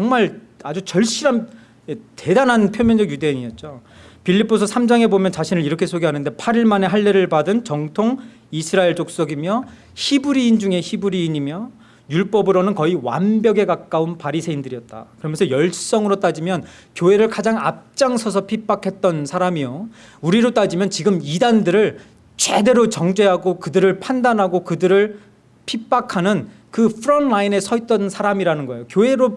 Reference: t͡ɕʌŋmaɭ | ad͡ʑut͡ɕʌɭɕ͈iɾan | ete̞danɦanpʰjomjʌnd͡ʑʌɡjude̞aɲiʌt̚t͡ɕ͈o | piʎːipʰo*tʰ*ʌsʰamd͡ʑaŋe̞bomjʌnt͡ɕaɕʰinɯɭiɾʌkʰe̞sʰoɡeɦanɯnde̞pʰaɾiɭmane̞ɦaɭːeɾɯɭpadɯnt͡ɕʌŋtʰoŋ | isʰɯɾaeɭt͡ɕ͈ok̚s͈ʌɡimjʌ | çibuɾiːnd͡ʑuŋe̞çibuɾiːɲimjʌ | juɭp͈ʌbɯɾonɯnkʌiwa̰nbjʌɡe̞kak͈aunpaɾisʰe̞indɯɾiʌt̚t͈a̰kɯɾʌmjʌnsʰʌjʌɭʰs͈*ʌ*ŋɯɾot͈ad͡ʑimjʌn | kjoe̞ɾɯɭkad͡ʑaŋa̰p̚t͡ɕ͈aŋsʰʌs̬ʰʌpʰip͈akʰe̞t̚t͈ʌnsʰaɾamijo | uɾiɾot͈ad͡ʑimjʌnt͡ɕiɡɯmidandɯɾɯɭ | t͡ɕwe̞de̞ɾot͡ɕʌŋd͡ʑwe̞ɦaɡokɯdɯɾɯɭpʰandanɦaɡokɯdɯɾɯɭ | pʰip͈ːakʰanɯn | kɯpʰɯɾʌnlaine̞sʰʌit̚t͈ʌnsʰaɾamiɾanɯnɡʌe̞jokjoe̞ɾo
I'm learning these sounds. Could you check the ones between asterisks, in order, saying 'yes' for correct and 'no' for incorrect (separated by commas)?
no, yes